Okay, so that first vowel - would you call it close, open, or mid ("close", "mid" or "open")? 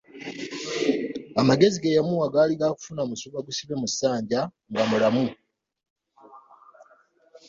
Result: open